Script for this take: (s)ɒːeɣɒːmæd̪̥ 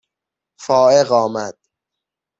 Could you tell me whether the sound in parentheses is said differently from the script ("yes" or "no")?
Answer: yes